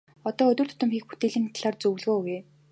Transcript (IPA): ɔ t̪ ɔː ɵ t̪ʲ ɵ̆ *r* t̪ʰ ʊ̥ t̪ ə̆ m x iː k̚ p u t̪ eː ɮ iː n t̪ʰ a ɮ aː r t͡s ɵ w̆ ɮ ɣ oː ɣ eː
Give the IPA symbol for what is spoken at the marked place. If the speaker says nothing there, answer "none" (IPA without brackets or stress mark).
r